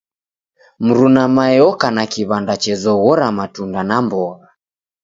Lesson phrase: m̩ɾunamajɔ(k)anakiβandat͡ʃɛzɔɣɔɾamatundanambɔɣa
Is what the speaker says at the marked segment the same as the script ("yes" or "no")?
yes